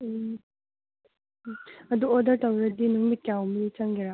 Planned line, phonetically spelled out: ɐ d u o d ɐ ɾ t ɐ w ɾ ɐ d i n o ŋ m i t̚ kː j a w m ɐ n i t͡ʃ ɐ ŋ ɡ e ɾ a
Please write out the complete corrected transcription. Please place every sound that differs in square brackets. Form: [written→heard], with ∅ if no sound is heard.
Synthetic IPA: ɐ d u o d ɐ ɾ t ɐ w ɾ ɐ d i n [o→u] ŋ m i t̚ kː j a w m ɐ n i t͡ʃ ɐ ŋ ɡ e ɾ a